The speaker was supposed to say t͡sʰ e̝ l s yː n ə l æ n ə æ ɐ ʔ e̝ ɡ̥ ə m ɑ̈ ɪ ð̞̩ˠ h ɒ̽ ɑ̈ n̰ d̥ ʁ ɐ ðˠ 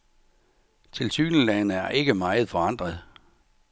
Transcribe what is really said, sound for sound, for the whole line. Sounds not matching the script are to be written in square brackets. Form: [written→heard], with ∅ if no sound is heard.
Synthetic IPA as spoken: t͡sʰ e̝ l s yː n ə l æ n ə æ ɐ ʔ e̝ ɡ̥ ə m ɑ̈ ɪ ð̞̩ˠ [h→f] ɒ̽ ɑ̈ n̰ d̥ ʁ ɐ ðˠ